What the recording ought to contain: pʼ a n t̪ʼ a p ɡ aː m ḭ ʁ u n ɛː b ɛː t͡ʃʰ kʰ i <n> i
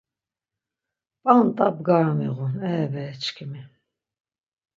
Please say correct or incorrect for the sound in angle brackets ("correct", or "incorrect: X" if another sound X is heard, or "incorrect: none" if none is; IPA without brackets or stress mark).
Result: incorrect: m